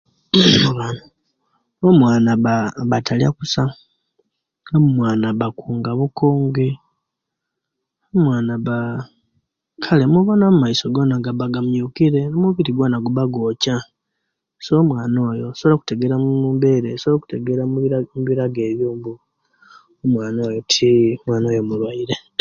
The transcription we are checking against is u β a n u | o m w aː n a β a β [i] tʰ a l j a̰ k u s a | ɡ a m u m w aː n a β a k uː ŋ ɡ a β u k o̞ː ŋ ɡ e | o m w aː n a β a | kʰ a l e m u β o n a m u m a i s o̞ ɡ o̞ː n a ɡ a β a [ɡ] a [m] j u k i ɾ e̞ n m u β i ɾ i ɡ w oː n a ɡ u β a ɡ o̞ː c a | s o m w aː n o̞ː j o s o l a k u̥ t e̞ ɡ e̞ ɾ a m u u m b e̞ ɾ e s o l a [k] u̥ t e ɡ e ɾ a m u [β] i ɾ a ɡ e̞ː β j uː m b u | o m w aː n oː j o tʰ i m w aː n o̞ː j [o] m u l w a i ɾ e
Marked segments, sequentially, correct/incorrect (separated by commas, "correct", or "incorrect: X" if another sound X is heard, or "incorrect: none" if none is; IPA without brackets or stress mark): incorrect: a, correct, correct, correct, correct, correct